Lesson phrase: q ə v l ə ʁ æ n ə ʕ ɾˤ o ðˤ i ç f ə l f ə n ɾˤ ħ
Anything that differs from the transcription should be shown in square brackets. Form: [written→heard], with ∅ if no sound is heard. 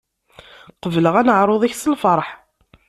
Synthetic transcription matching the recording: q ə v l ə ʁ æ n ə ʕ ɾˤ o ðˤ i ç [f→s] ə l f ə [n→∅] ɾˤ ħ